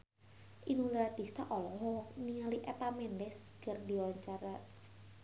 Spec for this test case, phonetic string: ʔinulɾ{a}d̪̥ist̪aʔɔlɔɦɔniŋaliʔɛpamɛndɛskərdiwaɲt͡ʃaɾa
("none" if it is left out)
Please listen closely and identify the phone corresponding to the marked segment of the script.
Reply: a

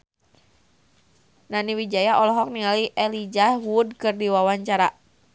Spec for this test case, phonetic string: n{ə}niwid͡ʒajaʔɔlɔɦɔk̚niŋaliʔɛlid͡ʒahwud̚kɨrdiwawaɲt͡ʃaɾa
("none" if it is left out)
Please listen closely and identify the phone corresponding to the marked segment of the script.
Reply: a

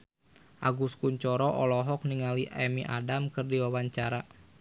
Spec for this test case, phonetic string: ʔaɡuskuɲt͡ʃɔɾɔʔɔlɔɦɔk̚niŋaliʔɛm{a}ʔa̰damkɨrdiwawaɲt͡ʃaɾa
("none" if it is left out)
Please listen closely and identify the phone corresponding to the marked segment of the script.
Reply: i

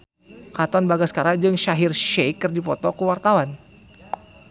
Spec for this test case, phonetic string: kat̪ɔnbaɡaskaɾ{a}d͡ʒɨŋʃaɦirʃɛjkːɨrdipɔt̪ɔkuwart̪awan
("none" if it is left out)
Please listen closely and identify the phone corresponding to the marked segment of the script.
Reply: a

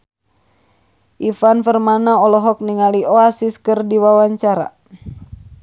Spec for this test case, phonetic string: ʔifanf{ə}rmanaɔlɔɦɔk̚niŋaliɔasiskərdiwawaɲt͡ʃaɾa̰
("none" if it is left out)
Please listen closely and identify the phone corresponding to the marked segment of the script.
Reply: ə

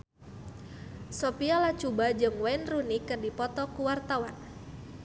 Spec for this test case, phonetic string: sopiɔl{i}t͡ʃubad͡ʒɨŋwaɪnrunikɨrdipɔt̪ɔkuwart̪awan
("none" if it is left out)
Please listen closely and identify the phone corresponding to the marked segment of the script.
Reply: a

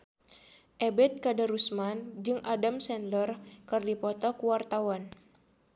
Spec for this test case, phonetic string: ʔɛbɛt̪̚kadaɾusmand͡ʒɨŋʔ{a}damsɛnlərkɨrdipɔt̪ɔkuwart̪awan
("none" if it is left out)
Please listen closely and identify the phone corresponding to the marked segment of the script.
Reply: a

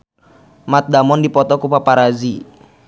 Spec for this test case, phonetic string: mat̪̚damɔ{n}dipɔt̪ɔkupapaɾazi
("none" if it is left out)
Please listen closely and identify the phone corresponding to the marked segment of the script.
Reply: n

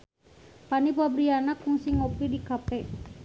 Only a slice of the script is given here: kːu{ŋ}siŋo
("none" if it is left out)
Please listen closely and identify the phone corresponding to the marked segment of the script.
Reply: ŋ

